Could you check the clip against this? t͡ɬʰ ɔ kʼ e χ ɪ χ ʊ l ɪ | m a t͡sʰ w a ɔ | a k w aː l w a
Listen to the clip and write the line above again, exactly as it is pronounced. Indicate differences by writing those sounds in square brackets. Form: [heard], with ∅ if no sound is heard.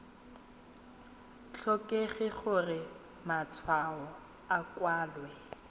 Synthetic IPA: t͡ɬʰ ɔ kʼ e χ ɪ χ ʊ [r] ɪ | m a t͡sʰ w a ɔ | a k w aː l w [ɛ]